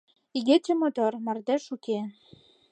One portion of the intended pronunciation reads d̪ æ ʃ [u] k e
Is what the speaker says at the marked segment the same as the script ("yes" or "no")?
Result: yes